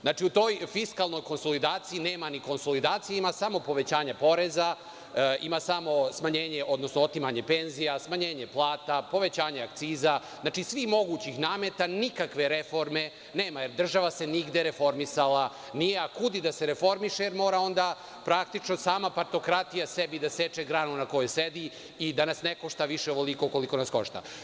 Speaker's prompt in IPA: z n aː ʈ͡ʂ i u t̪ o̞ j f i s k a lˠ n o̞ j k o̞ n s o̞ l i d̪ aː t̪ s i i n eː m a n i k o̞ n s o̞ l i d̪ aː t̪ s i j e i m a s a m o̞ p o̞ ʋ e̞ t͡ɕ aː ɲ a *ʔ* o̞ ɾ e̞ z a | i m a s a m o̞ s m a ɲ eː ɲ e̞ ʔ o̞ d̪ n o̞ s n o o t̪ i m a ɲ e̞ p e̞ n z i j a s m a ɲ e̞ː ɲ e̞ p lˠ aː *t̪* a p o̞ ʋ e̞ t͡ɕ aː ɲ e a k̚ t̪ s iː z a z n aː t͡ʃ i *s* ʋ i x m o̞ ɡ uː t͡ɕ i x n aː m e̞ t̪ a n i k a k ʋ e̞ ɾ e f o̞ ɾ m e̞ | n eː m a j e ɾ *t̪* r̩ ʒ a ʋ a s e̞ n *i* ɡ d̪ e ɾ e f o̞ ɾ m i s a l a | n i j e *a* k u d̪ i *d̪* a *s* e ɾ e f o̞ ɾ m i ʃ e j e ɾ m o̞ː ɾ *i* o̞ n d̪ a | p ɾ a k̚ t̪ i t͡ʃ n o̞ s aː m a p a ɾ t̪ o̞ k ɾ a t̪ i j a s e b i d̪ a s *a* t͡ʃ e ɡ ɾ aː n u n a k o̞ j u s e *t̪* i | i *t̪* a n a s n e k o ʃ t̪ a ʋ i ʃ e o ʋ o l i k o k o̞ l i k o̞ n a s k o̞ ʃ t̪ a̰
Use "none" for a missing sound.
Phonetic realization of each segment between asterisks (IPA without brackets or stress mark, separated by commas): p, t̪, s, d̪, i, a, d̪, s, a, e, d̪, d̪